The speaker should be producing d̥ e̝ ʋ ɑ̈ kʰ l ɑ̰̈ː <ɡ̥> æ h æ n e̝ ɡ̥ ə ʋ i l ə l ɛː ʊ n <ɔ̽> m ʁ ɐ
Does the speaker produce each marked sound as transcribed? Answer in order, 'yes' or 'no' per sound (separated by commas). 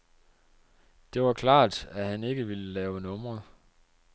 no, yes